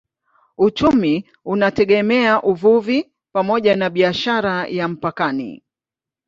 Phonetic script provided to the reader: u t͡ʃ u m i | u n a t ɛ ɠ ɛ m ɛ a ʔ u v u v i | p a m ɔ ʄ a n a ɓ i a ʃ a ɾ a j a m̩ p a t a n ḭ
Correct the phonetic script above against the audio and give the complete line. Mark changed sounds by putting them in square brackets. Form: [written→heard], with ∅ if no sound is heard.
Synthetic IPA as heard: u t͡ʃ u m i | u n a t ɛ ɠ ɛ m ɛ a ʔ u v u v i | p a m ɔ ʄ a n a ɓ i a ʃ a ɾ a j a m̩ p a [t→k] a n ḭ